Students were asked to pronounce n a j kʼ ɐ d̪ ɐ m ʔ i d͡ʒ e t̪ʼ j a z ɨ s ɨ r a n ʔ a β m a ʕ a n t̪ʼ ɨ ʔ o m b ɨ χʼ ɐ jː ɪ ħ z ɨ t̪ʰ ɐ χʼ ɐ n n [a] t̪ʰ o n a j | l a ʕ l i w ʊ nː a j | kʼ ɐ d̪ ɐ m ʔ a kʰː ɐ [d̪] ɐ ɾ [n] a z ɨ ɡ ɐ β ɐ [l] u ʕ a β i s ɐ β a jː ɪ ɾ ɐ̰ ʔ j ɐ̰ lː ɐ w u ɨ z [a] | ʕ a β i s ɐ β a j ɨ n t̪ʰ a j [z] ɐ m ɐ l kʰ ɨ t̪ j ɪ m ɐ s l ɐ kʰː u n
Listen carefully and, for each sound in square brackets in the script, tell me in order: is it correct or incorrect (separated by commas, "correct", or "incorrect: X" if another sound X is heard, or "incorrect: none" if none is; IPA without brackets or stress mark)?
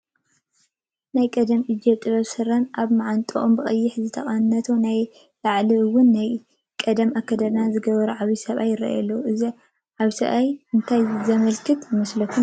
incorrect: ɐ, correct, correct, incorrect: ɾ, incorrect: i, correct